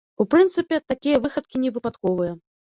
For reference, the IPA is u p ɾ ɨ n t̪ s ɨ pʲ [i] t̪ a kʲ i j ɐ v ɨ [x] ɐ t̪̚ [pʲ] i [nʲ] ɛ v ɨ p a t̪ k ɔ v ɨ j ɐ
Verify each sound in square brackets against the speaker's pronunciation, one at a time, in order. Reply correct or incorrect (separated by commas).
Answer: incorrect, correct, incorrect, correct